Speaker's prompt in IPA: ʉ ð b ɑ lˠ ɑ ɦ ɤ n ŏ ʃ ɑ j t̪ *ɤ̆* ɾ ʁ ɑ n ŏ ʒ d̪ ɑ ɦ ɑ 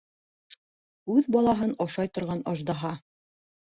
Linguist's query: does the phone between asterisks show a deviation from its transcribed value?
yes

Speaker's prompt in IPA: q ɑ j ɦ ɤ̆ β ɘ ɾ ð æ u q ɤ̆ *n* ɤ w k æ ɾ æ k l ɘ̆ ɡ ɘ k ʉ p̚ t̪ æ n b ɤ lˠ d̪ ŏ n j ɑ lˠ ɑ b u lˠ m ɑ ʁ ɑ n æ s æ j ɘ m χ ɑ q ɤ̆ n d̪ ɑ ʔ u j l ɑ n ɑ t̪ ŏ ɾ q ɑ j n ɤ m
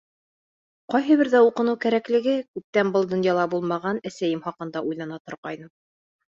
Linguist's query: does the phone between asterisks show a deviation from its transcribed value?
no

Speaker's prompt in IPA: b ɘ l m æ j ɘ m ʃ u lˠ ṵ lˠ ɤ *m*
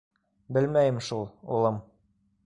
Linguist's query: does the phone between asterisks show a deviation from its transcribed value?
no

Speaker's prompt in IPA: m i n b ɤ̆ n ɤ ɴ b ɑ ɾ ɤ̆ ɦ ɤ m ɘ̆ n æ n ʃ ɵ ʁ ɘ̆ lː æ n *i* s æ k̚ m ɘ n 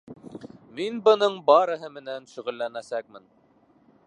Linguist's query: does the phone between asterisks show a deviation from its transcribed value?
yes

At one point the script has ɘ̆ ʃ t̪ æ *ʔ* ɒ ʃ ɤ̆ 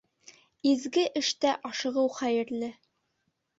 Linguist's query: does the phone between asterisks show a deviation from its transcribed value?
no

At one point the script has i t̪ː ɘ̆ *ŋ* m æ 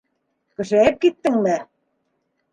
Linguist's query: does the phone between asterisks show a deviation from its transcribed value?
no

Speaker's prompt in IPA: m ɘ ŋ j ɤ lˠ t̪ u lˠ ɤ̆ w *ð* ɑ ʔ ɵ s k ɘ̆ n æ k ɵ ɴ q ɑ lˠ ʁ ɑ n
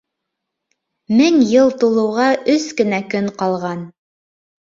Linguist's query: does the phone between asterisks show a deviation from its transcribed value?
yes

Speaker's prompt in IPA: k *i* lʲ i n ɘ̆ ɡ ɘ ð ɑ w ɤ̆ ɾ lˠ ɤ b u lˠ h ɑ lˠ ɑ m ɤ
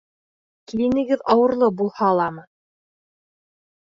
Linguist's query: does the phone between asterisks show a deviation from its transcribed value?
no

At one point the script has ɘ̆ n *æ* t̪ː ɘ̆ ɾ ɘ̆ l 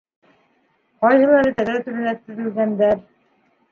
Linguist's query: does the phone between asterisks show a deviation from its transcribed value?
no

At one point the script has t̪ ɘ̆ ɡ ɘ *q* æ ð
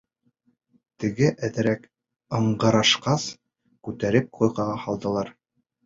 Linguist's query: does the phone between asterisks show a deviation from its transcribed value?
yes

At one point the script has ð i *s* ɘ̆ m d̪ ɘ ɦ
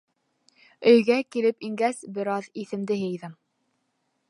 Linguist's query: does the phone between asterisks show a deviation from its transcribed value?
yes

